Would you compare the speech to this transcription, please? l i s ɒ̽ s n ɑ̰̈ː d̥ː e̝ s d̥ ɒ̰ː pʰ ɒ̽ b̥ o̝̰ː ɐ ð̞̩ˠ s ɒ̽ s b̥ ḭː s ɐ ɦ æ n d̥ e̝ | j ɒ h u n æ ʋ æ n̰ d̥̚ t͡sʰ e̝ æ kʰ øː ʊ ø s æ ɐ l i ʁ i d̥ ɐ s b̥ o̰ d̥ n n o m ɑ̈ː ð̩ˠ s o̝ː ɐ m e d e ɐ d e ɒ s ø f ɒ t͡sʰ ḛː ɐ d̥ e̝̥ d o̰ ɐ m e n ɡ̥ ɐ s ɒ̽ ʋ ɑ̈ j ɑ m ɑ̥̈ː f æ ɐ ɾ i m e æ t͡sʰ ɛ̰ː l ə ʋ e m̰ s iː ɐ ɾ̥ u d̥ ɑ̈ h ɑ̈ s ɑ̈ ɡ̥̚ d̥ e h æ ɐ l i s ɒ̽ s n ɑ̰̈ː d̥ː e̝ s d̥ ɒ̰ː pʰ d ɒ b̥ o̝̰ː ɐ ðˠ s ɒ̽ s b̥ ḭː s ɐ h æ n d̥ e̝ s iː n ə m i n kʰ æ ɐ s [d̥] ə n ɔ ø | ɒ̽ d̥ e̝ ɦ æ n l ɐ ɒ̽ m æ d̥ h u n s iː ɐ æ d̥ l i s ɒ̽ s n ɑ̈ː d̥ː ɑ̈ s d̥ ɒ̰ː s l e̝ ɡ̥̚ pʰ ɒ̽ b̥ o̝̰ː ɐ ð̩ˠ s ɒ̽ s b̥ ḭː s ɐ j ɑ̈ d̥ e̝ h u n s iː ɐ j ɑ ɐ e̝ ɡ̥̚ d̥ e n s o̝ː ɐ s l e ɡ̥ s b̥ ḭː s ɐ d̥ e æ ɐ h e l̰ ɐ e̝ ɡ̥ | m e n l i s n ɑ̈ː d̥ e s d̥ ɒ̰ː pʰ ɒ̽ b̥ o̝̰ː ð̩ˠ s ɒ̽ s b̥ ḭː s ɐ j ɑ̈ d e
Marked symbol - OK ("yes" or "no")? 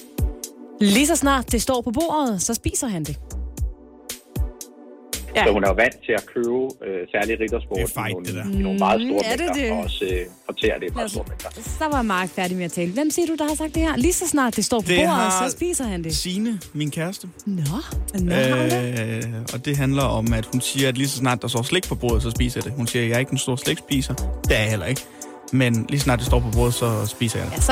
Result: yes